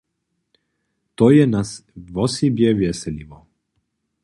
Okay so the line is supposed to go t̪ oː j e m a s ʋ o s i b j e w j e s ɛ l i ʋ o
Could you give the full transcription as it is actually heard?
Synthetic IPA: t̪ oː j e n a s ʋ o s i b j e ʋ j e s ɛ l i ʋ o